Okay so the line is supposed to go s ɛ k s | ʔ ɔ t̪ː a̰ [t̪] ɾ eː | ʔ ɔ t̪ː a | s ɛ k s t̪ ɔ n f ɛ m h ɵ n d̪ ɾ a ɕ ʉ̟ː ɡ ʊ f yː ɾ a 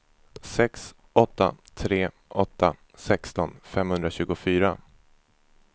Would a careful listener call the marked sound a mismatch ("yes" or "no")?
yes